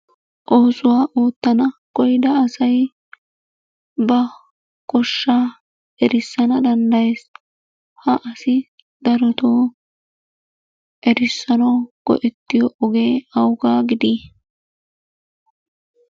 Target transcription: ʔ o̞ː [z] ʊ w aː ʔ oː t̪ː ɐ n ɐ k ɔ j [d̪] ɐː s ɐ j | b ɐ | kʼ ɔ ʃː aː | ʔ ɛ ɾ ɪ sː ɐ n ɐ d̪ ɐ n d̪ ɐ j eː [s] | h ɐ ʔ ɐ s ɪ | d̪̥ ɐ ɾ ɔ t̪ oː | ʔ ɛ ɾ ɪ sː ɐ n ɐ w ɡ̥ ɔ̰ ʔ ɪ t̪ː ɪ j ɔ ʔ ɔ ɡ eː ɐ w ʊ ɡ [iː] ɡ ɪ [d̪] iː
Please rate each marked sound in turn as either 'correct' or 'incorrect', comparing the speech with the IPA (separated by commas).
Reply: incorrect, correct, correct, incorrect, correct